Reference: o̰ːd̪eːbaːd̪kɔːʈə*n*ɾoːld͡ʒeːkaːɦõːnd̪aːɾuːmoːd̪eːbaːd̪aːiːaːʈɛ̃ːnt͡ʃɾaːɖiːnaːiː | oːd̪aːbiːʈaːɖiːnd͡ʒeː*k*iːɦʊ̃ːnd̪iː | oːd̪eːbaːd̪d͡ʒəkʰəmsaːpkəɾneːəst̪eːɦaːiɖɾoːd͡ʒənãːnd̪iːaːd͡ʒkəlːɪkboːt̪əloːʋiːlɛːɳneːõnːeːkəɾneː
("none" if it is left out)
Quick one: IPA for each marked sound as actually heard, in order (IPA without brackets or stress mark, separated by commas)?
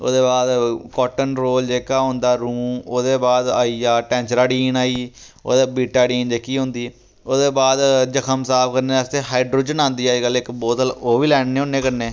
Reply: n, k